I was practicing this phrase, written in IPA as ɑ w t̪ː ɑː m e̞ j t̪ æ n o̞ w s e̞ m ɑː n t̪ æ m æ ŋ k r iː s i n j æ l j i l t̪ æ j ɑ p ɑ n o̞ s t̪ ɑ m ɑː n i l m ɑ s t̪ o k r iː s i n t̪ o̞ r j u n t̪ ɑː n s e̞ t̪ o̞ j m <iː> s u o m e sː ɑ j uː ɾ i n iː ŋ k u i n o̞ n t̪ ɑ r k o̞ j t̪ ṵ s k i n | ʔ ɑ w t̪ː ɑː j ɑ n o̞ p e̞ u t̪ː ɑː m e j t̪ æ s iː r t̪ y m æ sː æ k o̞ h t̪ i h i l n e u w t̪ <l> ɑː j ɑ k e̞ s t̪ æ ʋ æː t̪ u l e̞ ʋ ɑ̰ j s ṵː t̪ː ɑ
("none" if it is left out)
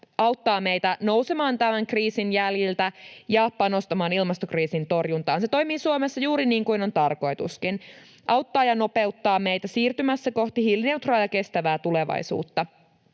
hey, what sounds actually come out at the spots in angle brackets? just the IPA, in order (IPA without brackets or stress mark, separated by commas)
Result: iː, r